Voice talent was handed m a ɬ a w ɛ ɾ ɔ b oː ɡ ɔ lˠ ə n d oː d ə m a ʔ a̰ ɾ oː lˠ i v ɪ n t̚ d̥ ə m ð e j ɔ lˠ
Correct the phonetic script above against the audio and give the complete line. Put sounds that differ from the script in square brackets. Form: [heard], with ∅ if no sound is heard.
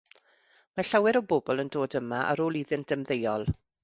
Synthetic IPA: m a ɬ a w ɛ ɾ ɔ b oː [b] ɔ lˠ ə n d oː d ə m a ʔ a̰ ɾ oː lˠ i [ð] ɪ n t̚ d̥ ə m ð e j ɔ lˠ